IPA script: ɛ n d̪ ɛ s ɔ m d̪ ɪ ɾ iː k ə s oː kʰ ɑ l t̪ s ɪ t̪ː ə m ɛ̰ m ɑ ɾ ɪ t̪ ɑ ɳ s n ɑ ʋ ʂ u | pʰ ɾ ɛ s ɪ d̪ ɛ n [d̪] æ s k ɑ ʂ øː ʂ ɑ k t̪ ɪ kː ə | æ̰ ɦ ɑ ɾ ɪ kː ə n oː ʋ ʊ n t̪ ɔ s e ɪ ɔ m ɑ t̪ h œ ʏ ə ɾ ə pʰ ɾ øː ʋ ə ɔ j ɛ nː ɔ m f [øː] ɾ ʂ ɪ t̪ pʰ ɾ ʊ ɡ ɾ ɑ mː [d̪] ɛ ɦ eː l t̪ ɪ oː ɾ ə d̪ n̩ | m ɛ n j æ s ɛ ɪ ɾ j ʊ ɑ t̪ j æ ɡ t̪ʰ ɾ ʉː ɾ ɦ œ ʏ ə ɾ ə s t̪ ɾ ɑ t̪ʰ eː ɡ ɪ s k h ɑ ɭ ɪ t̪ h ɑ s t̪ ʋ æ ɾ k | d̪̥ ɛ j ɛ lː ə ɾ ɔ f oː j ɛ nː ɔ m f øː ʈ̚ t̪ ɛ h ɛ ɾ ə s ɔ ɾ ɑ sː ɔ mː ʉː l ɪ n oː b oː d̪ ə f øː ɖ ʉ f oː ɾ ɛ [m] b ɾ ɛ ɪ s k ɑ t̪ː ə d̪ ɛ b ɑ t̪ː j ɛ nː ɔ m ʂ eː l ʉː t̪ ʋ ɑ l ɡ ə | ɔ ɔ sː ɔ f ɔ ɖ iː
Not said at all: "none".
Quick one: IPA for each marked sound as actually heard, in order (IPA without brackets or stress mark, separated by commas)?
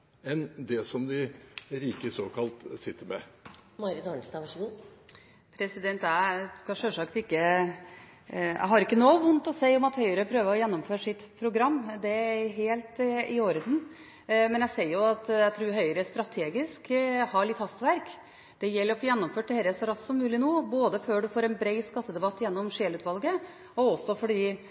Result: t̪, øː, d̪, n